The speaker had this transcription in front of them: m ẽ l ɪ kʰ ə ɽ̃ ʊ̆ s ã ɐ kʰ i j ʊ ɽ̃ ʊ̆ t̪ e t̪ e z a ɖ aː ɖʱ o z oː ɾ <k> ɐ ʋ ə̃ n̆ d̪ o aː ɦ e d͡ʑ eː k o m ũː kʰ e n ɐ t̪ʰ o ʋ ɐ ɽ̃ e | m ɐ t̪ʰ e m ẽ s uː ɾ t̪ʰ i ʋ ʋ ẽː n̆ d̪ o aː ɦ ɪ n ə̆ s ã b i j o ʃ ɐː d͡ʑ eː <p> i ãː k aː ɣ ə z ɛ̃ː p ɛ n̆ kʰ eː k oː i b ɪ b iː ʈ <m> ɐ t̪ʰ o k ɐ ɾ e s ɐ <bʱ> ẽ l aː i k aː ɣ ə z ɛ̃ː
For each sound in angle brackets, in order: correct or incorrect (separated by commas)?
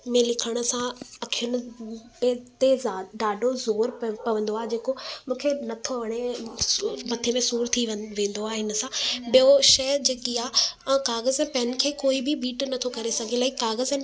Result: incorrect, incorrect, incorrect, incorrect